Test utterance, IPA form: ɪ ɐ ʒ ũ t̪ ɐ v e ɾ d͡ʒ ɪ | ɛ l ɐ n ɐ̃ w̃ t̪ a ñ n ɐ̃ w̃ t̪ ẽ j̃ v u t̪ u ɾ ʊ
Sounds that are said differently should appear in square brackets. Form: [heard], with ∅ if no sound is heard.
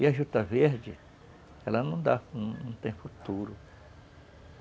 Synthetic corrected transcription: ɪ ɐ ʒ [u] t̪ ɐ v e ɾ d͡ʒ ɪ | ɛ l ɐ n ɐ̃ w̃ [d̪] a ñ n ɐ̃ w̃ t̪ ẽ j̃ [f] u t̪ u ɾ ʊ